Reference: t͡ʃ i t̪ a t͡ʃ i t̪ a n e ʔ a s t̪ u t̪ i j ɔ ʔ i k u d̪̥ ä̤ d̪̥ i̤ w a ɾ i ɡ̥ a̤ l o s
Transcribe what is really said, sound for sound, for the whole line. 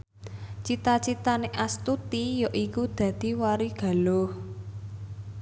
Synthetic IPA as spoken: t͡ʃ i t̪ a t͡ʃ i t̪ a n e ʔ a s t̪ u t̪ i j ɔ ʔ i k u d̪̥ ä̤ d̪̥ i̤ w a ɾ i ɡ̥ a̤ l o h